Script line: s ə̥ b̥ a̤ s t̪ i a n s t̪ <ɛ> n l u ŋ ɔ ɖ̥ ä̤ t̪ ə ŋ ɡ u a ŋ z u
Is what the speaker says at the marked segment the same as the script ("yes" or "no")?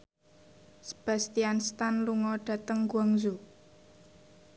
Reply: no